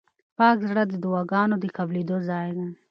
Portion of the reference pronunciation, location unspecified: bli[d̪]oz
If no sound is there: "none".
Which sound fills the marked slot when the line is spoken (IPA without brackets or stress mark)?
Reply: d̪